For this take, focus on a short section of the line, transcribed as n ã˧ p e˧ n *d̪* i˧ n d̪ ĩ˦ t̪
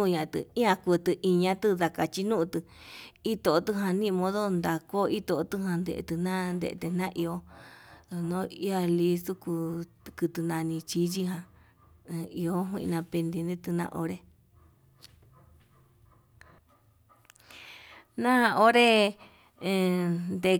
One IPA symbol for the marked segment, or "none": d̪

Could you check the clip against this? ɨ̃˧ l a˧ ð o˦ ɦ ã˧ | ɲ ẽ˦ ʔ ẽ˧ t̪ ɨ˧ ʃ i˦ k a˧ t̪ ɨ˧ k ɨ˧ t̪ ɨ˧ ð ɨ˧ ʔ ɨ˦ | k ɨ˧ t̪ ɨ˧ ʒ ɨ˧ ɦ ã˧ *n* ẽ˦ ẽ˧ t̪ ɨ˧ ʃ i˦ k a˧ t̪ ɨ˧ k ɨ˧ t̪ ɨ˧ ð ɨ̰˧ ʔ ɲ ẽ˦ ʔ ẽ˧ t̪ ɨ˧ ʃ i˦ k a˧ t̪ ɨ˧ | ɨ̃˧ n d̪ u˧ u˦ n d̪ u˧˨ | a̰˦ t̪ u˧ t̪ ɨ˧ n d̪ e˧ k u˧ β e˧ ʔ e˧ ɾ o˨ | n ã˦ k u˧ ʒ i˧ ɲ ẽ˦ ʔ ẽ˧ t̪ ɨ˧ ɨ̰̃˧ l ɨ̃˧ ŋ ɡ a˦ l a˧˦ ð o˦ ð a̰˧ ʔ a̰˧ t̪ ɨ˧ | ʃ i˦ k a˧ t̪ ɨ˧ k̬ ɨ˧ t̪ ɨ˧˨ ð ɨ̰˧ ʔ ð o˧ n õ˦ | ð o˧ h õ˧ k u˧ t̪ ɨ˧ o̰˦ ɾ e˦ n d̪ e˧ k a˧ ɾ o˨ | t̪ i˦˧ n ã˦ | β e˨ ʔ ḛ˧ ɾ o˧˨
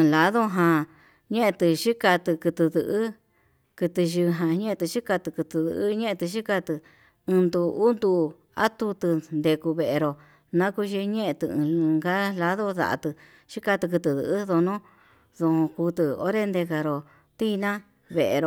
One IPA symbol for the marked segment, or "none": ɲ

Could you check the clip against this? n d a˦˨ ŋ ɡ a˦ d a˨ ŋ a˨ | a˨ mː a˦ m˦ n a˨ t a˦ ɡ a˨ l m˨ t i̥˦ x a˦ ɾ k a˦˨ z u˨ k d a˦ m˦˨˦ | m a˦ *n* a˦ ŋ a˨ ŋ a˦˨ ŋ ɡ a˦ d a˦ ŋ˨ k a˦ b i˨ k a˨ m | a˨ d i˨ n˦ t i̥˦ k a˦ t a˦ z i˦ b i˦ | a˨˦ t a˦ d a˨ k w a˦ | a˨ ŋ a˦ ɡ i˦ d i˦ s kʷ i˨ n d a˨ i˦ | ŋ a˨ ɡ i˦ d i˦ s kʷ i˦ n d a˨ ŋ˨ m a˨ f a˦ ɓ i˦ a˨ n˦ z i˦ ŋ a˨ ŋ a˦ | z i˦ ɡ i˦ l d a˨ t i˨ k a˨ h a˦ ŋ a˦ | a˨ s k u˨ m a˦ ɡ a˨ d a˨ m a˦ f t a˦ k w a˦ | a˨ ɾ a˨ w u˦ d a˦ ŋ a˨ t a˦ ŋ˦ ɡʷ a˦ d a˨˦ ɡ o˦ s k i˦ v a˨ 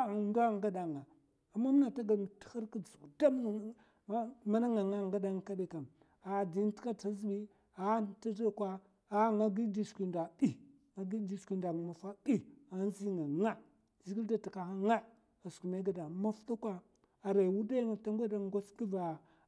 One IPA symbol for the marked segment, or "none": n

